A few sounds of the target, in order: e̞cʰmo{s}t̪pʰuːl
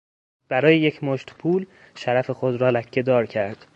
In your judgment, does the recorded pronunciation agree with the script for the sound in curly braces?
no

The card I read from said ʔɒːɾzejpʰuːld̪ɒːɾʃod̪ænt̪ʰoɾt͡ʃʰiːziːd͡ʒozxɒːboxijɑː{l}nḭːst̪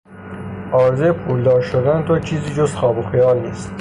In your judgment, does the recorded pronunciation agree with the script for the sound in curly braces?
yes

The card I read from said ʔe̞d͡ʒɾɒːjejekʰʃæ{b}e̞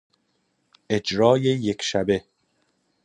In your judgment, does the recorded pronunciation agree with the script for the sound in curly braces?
yes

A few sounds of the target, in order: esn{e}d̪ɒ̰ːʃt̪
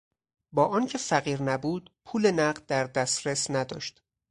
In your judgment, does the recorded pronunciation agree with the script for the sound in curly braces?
no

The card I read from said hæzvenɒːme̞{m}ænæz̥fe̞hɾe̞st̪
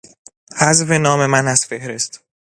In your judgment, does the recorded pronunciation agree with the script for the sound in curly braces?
yes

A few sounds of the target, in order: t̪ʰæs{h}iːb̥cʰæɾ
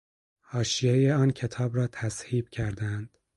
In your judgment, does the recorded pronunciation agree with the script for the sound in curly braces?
yes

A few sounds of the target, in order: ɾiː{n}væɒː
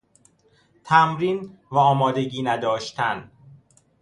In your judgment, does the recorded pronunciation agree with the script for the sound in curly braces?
yes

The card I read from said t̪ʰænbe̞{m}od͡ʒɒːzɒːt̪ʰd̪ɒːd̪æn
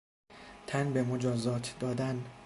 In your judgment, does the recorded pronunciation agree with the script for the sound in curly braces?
yes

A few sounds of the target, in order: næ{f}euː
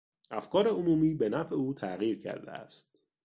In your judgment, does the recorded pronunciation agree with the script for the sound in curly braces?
yes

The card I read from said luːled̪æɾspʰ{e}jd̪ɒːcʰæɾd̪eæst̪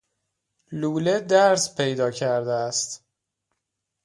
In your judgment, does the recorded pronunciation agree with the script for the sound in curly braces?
yes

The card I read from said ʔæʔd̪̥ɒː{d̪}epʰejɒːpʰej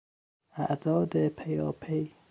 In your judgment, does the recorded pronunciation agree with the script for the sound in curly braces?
yes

